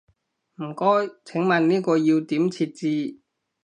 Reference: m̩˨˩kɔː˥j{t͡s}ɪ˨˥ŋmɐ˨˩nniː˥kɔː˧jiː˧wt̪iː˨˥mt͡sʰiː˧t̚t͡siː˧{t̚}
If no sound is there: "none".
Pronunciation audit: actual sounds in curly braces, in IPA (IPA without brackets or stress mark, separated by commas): t͡sʰ, none